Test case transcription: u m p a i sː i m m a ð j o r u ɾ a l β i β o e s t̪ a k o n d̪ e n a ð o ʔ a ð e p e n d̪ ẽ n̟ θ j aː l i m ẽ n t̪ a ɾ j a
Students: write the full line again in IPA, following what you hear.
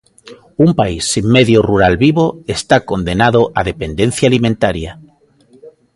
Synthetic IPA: u m p a i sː i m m e ð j o r u ɾ a l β i β o e s t̪ a k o n d̪ e n a ð o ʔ a ð e p e n d̪ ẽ n̟ θ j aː l i m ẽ n t̪ a ɾ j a